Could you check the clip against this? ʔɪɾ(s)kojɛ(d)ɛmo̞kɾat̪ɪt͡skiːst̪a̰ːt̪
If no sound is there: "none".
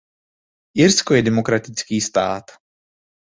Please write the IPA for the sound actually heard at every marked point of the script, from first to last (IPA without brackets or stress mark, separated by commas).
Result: s, d